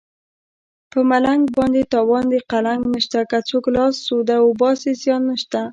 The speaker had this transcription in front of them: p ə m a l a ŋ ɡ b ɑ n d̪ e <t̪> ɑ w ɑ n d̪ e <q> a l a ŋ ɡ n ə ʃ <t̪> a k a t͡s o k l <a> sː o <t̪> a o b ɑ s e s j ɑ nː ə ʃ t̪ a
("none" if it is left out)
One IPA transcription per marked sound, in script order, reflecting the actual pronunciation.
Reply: t̪, q, t̪, ɑ, d̪

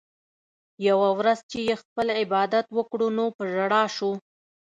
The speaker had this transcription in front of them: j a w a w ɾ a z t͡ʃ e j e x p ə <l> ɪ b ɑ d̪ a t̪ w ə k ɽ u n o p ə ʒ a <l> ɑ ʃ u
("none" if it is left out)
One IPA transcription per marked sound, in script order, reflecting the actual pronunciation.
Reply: l, ɽ

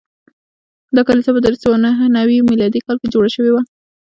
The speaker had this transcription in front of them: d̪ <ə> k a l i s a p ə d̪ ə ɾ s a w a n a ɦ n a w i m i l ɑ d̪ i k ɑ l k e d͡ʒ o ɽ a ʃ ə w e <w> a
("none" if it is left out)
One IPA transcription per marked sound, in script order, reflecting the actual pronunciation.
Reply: ɑ, w

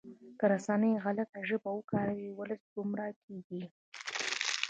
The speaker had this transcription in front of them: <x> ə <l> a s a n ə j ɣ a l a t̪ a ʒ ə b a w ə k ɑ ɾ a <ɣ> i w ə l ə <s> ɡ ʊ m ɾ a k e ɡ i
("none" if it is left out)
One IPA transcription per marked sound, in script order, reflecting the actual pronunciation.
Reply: k, ɾ, w, s

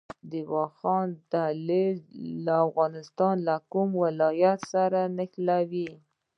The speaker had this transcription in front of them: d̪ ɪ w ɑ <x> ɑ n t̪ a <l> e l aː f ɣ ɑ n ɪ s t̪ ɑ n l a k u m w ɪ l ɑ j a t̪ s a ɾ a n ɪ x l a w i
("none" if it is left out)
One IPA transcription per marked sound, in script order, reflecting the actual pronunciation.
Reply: x, l

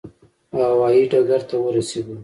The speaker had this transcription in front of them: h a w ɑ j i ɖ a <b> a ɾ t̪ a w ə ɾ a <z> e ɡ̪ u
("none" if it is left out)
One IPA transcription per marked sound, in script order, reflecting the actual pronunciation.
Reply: ɡ, s

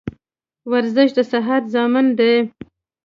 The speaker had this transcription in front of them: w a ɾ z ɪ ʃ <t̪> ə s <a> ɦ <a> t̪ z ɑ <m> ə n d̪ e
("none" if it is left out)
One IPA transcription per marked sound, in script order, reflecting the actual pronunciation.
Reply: d̪, a, a, m

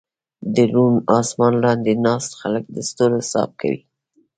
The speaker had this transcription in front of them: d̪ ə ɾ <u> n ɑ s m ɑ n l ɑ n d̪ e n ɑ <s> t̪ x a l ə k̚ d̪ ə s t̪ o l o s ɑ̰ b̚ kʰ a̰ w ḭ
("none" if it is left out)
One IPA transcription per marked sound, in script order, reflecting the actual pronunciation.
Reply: u, s

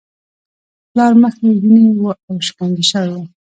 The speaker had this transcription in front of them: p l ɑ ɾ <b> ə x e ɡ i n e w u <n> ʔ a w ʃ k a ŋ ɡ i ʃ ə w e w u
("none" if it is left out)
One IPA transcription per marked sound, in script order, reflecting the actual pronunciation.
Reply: m, none

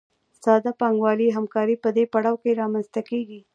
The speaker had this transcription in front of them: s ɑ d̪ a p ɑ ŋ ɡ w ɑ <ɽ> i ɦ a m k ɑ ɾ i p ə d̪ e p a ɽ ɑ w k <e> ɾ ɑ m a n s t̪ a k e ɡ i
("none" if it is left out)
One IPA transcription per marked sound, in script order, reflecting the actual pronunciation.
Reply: l, e

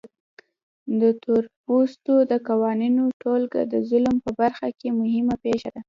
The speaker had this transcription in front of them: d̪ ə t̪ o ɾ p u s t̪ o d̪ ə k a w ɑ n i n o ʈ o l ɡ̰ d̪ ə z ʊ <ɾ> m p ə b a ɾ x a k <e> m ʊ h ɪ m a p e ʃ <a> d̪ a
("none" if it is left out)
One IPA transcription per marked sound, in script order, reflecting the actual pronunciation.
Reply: l, e, a

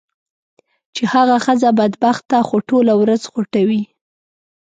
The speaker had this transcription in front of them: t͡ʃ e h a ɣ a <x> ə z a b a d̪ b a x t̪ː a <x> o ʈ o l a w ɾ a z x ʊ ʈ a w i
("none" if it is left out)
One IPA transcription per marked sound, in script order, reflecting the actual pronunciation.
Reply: x, x

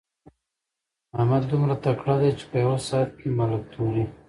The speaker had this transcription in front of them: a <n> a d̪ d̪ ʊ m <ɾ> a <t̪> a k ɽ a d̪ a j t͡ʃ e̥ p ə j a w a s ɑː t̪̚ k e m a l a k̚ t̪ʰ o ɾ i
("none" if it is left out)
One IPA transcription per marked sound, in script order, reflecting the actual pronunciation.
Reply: m, ɾ, t̪

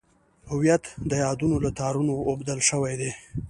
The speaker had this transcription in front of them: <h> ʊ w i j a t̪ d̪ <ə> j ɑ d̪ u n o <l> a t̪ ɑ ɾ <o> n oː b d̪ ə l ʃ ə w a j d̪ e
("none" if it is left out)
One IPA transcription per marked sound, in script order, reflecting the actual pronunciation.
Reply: h, ə, l, u

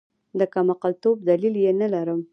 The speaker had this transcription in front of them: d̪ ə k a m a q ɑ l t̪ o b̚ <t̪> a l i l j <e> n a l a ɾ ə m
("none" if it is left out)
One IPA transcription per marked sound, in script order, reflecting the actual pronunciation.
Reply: d̪, e

